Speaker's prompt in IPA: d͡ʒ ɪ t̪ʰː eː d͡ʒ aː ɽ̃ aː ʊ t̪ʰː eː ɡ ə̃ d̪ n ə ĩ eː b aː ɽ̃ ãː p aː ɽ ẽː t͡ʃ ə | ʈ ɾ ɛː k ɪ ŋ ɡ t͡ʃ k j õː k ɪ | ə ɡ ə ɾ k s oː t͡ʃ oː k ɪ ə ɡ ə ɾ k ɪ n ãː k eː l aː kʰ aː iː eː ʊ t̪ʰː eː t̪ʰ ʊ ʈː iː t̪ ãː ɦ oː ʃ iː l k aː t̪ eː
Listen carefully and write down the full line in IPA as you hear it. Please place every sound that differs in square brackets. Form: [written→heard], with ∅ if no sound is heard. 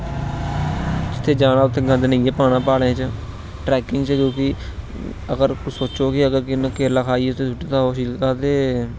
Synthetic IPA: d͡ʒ ɪ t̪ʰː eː d͡ʒ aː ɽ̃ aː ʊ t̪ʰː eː ɡ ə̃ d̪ n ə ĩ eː [b→p] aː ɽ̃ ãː p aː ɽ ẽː t͡ʃ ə | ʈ ɾ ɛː k ɪ ŋ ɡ t͡ʃ k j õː k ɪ | ə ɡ ə ɾ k s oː t͡ʃ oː k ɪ ə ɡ ə ɾ k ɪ n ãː k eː l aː kʰ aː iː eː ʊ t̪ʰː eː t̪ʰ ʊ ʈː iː t̪ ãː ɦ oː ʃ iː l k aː t̪ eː

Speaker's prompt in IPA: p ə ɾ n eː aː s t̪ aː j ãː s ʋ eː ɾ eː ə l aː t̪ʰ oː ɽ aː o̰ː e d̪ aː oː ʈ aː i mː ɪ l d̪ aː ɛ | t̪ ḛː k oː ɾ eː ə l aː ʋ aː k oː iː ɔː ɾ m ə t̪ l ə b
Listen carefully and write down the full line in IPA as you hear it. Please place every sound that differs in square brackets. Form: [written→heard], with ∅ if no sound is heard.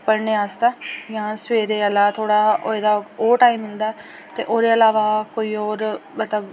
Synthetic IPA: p ə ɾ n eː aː s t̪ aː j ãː s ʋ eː ɾ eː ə l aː t̪ʰ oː ɽ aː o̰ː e d̪ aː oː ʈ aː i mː ɪ l d̪ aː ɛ | t̪ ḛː [k→ʔ] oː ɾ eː ə l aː ʋ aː k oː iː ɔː ɾ m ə t̪ l ə b

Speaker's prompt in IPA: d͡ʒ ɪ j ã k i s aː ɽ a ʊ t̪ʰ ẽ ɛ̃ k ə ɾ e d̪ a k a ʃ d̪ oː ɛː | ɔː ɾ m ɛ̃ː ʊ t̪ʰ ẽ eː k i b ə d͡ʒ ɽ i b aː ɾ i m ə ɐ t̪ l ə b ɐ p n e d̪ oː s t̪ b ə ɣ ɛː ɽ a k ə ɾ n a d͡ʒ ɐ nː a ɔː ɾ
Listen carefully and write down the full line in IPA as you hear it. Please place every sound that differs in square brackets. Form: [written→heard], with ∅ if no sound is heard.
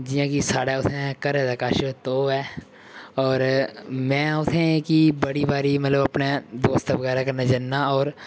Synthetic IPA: d͡ʒ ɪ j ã k i s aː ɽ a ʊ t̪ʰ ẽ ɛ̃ k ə ɾ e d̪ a k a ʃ [d̪→t̪] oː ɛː | ɔː ɾ m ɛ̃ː ʊ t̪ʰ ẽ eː k i b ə [d͡ʒ→∅] ɽ i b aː ɾ i m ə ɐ t̪ l ə b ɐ p n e d̪ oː s t̪ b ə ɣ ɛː [ɽ→ɾ] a k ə ɾ n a d͡ʒ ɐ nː a ɔː ɾ

